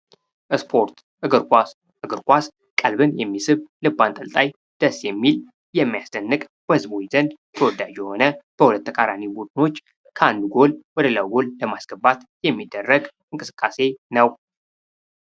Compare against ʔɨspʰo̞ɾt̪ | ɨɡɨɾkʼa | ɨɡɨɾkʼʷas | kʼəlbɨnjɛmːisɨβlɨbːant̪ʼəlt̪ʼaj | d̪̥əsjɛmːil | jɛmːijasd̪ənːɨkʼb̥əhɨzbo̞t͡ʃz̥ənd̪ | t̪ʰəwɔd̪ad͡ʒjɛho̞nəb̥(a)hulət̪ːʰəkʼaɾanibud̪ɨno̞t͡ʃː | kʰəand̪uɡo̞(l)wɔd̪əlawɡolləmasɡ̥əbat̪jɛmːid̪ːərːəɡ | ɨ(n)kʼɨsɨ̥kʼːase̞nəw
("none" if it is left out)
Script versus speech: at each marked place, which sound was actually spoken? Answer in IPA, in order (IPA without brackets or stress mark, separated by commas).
ə, l, ŋ